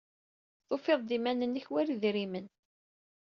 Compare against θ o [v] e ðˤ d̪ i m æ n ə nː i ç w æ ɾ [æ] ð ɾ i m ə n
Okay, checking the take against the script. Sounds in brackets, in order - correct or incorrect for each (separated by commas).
incorrect, incorrect